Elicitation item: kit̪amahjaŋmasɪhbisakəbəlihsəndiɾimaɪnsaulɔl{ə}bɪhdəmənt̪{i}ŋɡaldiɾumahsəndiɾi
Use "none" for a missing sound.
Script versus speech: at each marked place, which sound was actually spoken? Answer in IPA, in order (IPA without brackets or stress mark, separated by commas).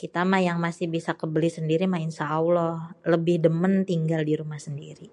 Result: ə, i